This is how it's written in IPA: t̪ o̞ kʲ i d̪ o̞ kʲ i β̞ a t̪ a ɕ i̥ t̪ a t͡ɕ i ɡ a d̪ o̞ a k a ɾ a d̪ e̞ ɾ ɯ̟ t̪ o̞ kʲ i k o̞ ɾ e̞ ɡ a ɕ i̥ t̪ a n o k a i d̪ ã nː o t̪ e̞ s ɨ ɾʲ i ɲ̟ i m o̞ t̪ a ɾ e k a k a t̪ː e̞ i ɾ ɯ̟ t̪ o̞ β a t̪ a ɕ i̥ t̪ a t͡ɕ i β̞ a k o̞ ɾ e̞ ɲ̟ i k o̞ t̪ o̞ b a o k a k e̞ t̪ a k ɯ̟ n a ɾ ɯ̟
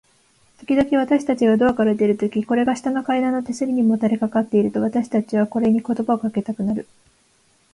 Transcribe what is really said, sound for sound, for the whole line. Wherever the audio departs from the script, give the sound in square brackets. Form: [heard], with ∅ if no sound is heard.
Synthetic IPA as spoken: t̪ o̞ kʲ i d̪ o̞ kʲ i β̞ a t̪ a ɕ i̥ t̪ a t͡ɕ i ɡ a d̪ o̞ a k a ɾ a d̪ e̞ ɾ ɯ̟ t̪ o̞ kʲ i k o̞ ɾ e̞ ɡ a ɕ i̥ t̪ a n o k a i d̪ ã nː o t̪ e̞ s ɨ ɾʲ i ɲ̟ i m o̞ t̪ a ɾ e k a k a t̪ː e̞ i ɾ ɯ̟ t̪ o̞ β a t̪ a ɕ i̥ t̪ a t͡ɕ i β̞ a k o̞ ɾ e̞ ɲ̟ i k o̞ t̪ o̞ b a o k a k e̞ t̪ a k ɯ̟ n a ɾ ɯ̟